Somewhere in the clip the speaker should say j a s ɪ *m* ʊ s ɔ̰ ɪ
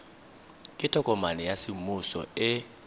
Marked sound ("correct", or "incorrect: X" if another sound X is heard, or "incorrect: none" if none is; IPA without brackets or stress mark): correct